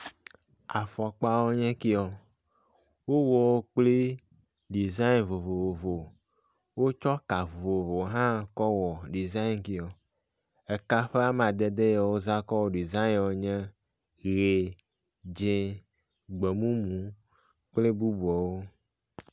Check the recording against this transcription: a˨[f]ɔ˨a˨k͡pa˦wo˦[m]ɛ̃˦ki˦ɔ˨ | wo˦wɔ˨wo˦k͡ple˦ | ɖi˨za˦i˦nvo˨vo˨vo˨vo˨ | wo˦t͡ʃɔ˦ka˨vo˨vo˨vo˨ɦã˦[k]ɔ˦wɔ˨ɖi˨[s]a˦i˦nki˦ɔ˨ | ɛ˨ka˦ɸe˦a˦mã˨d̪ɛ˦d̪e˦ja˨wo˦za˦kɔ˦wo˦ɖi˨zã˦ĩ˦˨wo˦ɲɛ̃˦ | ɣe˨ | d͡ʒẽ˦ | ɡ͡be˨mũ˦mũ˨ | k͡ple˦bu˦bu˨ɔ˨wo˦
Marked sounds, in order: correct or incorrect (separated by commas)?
correct, incorrect, correct, incorrect